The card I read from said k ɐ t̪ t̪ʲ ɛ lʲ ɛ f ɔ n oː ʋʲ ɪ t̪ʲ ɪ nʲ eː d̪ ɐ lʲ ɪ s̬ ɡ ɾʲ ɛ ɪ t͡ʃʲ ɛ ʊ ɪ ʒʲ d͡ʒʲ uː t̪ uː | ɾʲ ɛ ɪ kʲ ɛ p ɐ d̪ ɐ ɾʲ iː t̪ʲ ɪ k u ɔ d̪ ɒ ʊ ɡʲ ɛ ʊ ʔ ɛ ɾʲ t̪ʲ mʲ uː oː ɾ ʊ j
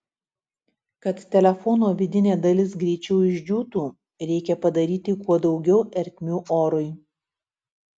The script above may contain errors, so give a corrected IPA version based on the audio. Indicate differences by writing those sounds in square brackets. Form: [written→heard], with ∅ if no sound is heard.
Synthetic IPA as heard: k ɐ t̪ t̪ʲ ɛ lʲ ɛ f ɔ n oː ʋʲ ɪ [t̪ʲ→d̪ʲ] ɪ nʲ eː d̪ ɐ lʲ ɪ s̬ ɡ ɾʲ ɛ ɪ t͡ʃʲ ɛ ʊ ɪ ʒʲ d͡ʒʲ uː t̪ uː | ɾʲ ɛ ɪ kʲ ɛ p ɐ d̪ ɐ ɾʲ iː t̪ʲ ɪ k u ɔ d̪ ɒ ʊ ɡʲ ɛ ʊ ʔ ɛ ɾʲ t̪ʲ mʲ uː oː ɾ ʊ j